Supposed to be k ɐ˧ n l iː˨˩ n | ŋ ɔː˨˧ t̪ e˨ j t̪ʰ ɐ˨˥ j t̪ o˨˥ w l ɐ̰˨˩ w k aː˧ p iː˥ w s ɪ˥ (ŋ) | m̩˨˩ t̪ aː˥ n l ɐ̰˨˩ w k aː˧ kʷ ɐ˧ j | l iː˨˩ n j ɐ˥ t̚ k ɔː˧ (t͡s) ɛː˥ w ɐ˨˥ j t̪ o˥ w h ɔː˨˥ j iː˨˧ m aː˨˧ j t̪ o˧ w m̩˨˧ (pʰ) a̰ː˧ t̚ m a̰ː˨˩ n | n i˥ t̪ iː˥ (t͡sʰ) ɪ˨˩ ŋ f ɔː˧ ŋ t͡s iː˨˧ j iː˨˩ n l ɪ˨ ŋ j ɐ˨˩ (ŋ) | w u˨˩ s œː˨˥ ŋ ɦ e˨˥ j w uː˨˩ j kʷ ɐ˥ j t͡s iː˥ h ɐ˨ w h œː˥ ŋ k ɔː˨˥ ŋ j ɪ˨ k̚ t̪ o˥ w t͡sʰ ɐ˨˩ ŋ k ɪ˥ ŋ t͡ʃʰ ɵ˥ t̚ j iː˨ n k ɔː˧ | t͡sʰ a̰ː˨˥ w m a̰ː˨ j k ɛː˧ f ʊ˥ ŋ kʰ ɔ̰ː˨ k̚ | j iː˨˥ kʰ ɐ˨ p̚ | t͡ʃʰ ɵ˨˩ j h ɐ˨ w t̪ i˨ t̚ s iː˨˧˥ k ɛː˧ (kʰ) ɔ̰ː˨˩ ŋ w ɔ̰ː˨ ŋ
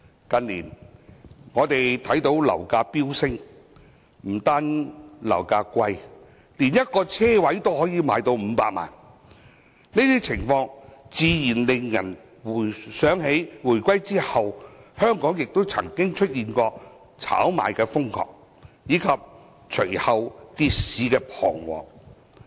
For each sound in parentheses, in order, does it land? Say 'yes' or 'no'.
yes, no, no, yes, no, no

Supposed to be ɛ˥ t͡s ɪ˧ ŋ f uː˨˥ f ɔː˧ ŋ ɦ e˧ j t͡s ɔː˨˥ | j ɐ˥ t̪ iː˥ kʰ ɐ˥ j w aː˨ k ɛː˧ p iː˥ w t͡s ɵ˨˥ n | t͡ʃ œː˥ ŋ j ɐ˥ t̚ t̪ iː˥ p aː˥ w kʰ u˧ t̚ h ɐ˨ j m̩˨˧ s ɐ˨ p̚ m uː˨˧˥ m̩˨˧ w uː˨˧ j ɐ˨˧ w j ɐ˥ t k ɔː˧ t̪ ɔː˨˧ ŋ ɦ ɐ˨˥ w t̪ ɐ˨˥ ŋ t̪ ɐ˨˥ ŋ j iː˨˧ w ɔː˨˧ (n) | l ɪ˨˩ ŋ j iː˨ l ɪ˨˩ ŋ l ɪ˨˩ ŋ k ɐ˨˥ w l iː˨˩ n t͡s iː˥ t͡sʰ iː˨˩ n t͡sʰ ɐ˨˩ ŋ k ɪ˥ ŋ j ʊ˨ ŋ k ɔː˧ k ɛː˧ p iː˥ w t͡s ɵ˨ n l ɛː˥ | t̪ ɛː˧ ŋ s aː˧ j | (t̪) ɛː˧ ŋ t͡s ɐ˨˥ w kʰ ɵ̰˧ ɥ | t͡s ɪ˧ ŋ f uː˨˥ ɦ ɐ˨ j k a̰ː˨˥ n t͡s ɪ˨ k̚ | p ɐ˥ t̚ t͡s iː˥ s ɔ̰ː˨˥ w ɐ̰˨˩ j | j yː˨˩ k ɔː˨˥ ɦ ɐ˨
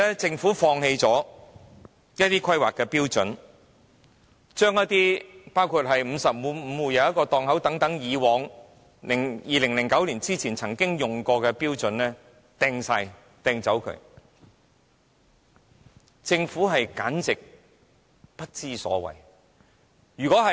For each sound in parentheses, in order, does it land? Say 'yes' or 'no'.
no, yes

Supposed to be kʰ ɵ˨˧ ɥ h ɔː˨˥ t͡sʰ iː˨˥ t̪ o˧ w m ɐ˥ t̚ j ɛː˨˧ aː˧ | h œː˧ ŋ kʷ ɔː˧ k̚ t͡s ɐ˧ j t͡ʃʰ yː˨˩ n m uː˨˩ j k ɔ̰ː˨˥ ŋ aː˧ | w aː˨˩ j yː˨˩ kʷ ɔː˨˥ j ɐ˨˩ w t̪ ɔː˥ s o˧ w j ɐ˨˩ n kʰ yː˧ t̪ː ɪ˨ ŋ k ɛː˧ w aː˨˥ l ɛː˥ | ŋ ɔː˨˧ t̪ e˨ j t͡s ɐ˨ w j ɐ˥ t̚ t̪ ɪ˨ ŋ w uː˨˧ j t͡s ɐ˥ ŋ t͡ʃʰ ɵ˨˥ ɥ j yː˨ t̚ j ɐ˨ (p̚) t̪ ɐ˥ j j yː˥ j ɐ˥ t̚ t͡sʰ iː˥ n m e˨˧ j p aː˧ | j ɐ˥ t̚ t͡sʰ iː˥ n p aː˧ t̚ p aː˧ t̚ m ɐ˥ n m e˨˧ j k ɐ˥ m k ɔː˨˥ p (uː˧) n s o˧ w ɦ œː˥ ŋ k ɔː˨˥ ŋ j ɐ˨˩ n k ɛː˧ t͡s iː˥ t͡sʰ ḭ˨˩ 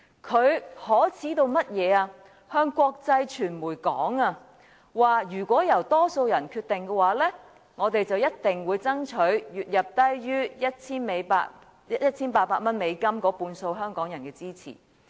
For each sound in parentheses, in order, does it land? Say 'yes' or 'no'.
yes, yes

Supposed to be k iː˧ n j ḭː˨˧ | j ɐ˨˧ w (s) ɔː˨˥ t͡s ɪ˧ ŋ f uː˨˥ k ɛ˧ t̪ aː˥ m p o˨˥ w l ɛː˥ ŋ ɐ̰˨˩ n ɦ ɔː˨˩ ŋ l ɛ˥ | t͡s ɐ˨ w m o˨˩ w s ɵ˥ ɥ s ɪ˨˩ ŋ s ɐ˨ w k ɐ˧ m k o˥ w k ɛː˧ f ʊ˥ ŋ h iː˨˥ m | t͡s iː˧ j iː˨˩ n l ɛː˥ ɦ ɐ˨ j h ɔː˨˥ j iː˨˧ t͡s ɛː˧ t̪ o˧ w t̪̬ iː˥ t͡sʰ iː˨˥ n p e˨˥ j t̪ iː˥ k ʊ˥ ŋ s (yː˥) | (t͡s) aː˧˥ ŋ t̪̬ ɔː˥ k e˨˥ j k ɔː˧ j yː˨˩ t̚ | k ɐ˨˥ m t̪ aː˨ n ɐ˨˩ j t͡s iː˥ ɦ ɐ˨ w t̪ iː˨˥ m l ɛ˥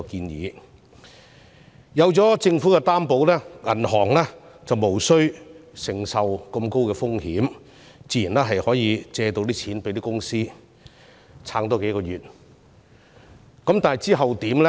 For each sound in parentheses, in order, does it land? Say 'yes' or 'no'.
no, no, no

